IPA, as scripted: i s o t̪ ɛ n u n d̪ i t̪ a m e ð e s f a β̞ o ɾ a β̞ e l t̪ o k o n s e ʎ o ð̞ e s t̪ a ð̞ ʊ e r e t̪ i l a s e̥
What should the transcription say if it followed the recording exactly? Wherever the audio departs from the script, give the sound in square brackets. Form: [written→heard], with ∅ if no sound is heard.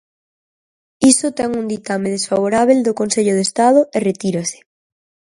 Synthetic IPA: i s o t̪ ɛ [n→ŋ] u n d̪ i t̪ a m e ð e s f a β̞ o ɾ a β̞ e l [t̪→d̪] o k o n s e ʎ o ð̞ e s t̪ a ð̞ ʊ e r e t̪ i [l→ɾ] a s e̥